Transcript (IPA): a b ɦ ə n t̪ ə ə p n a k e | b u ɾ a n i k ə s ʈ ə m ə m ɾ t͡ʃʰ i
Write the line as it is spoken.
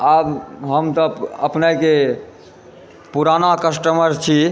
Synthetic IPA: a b ɦ ə m t̪ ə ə p n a k e | p u ɾ a n a k ə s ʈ ə m ə ɾ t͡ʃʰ i

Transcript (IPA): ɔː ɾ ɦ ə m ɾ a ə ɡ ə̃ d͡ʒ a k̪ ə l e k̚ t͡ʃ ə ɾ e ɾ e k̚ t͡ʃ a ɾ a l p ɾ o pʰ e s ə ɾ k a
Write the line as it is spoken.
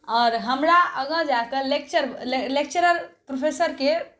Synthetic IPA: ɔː ɾ ɦ ə m ɾ a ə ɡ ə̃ d͡ʒ a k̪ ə l e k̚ t͡ʃ ə ɾ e l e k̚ t͡ʃ ə ɾ ə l p ɾ o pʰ e s ə ɾ k e

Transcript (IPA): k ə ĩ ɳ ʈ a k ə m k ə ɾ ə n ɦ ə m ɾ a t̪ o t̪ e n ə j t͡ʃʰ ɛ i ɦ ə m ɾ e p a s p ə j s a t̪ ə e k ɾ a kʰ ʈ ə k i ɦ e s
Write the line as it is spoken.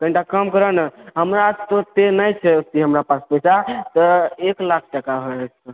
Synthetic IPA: k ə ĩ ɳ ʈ a k ə m k ə ɾ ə n ɦ ə m ɾ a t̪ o t̪ e n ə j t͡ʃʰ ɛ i ɦ ə m ɾ a p a s p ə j s a t̪ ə e k l a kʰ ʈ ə k a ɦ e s

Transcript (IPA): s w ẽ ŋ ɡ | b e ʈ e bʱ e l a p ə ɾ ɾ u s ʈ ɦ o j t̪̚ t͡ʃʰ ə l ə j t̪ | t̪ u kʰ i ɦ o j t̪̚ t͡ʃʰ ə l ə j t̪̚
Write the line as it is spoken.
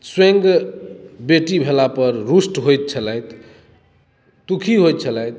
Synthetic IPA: s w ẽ ŋ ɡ | b e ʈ i bʱ e l a p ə ɾ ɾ u s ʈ ɦ o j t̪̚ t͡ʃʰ ə l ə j t̪ | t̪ u kʰ i ɦ o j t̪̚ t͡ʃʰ ə l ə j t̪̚

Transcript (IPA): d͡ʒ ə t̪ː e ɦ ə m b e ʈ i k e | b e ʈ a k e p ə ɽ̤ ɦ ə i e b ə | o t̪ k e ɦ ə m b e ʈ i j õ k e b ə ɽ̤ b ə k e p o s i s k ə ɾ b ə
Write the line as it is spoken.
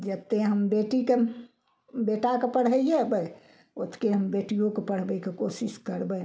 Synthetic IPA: d͡ʒ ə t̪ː e ɦ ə m b e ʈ i k e | b e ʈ a k e p ə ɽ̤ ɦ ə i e b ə | o t̪ k e ɦ ə m b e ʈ i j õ k e p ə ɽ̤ b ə k e k o s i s k ə ɾ b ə

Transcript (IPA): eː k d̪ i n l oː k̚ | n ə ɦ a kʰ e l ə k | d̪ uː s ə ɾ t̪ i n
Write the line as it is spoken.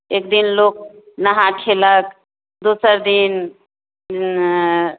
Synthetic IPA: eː k d̪ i n l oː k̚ | n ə ɦ a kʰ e l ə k | d̪ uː s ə ɾ d̪ i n

